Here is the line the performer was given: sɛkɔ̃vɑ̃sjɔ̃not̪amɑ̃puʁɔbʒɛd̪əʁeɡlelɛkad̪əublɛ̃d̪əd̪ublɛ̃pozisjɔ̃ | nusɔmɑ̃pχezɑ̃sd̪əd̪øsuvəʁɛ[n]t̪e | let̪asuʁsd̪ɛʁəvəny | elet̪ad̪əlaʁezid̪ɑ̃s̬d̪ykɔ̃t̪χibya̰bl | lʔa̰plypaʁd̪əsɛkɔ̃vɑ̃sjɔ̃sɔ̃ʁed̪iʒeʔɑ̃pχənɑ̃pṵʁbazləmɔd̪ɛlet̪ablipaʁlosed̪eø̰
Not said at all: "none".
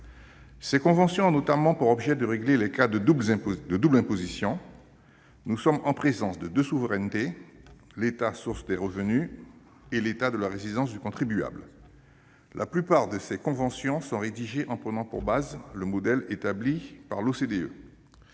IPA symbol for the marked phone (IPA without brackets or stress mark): n